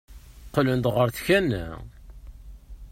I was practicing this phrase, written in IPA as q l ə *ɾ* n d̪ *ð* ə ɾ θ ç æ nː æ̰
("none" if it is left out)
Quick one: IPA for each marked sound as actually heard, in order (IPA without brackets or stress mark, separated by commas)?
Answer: none, ʁ